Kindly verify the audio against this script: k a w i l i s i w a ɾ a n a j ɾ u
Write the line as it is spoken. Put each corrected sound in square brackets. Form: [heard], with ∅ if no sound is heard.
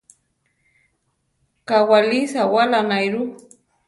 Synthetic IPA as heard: k a w [a] l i s [a] w a [l] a n a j ɾ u